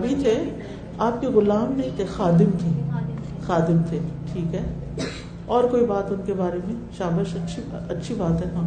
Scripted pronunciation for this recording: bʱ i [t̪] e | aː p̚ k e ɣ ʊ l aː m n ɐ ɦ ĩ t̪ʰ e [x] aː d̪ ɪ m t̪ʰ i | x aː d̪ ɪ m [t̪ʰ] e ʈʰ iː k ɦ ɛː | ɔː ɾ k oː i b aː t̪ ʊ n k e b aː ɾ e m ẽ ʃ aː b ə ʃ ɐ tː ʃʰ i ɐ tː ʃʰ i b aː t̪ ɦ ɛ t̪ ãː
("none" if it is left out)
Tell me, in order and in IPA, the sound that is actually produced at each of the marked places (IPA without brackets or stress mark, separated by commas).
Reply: t̪ʰ, x, t̪ʰ